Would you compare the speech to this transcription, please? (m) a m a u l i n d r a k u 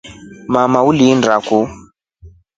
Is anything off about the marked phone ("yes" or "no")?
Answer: no